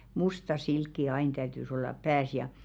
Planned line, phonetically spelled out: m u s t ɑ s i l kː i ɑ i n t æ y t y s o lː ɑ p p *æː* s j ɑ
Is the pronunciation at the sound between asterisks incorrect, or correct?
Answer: correct